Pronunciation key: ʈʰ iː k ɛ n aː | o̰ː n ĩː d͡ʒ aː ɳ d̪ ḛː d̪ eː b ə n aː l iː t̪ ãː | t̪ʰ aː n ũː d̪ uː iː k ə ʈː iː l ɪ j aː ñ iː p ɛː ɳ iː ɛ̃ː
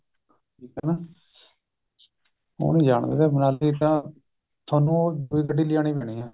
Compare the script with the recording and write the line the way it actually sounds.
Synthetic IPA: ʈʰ iː k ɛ n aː | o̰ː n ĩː d͡ʒ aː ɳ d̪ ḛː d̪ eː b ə n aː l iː t̪ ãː | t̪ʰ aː n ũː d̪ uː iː k ə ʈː iː l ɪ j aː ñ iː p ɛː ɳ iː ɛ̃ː